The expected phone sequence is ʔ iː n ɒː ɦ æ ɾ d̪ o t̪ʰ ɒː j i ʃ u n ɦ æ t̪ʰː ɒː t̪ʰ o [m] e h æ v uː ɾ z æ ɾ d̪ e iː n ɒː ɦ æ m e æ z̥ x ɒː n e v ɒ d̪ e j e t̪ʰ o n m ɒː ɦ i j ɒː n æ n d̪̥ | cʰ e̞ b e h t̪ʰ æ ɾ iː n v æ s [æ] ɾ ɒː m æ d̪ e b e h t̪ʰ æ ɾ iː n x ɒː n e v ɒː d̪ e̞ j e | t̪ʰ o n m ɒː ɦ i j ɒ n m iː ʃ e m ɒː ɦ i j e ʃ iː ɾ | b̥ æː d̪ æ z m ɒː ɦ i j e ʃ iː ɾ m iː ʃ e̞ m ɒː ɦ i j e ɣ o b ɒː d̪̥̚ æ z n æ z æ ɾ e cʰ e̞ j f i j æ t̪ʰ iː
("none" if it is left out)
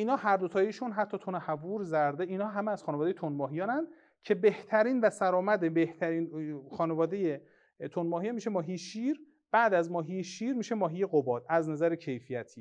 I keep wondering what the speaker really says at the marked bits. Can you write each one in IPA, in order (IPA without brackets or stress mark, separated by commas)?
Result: n, æ